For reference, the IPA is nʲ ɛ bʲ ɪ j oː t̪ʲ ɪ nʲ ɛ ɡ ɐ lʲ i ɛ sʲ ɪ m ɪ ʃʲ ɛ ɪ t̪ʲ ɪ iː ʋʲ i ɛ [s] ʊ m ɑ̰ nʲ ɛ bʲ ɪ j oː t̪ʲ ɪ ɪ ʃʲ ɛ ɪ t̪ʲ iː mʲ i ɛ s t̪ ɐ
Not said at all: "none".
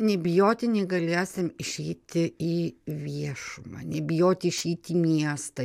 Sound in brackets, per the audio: ʃ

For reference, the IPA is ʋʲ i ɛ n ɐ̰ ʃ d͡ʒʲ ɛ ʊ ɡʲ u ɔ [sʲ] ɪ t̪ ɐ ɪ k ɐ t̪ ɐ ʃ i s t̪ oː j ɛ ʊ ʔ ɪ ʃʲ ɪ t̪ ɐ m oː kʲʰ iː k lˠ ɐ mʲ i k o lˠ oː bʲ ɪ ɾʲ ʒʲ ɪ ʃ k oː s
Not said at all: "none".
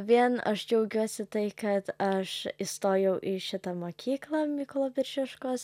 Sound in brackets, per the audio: sʲ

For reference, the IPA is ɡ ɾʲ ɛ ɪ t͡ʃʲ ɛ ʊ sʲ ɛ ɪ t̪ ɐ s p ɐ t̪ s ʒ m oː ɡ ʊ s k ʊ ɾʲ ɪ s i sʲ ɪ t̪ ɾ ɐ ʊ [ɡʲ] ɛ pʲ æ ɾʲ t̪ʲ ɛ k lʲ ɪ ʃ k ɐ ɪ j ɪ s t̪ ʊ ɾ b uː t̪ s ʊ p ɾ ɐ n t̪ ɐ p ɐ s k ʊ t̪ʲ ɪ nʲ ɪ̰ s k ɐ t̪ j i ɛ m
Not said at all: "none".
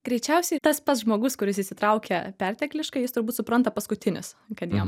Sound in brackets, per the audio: kʲ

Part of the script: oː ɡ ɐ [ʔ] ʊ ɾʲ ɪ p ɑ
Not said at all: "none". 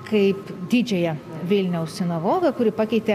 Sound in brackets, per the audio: k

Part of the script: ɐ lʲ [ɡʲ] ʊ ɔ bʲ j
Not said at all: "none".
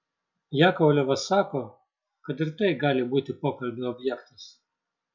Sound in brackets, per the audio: bʲ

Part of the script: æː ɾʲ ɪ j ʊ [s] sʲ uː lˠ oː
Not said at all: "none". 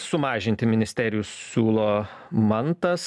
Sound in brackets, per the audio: s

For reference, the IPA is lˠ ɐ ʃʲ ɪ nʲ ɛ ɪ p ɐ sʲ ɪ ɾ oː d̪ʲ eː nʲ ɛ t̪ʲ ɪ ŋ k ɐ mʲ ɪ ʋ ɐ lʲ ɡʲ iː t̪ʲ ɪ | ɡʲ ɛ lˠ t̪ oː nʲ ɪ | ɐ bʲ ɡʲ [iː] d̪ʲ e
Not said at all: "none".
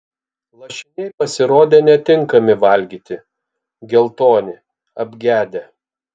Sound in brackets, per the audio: æː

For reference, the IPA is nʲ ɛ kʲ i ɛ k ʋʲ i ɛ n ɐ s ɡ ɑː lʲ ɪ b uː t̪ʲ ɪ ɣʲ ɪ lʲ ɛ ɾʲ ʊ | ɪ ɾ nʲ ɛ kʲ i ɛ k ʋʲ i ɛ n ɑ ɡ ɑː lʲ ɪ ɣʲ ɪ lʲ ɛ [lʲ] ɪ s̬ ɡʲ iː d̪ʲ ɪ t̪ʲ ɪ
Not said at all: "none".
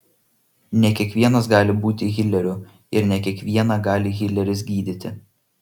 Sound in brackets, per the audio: ɾʲ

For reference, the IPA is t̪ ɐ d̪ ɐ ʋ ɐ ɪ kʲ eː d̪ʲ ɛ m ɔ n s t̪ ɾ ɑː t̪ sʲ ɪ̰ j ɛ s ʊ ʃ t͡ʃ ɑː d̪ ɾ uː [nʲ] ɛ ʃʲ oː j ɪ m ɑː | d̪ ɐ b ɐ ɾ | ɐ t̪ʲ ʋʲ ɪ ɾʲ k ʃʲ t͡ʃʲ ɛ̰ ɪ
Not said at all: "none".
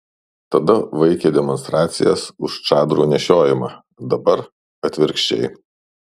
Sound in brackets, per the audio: nʲ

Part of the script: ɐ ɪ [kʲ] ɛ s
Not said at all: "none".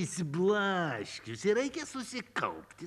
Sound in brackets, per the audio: kʲ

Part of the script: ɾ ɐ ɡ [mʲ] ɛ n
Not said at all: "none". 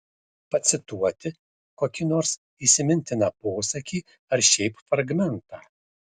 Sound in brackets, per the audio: mʲ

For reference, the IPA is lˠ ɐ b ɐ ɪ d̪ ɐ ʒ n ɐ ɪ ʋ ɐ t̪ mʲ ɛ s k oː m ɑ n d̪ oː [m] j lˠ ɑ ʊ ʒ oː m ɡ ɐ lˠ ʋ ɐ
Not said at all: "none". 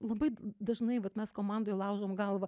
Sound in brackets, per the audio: none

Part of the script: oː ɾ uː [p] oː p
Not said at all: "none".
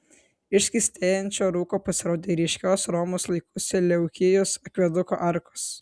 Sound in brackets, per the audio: k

